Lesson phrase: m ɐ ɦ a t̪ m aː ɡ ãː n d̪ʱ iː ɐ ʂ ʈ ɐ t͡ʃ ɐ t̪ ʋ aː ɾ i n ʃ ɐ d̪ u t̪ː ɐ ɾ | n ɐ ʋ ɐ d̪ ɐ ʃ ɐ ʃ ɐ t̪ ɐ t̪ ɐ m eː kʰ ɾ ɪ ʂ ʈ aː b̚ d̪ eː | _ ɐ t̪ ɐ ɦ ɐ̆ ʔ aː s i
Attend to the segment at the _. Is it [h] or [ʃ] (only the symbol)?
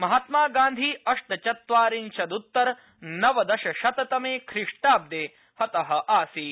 h